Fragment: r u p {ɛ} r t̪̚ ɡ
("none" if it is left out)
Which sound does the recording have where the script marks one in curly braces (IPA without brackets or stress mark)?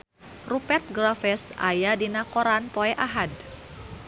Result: ɛ